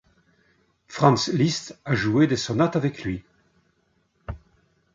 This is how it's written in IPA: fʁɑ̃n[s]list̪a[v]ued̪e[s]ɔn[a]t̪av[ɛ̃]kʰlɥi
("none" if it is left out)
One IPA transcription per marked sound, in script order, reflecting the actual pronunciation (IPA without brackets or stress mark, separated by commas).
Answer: s, ʒ, s, a, ɛ